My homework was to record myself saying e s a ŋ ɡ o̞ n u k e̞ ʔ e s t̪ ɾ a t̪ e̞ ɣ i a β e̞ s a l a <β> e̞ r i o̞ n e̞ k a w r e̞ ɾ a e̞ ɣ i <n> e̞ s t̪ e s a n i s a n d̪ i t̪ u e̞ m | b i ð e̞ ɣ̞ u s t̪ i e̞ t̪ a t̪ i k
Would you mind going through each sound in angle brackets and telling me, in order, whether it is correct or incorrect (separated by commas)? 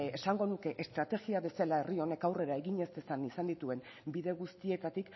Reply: incorrect, incorrect